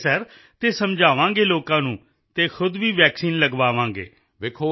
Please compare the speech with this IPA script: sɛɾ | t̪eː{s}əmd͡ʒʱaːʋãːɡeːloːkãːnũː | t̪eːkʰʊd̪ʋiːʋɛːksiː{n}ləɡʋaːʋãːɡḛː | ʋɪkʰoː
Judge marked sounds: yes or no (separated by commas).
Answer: yes, yes